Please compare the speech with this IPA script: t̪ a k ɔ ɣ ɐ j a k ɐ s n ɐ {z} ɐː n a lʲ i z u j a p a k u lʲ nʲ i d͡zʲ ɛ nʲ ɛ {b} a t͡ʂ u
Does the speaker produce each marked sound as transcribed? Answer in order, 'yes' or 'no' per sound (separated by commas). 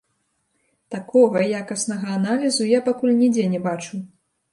no, yes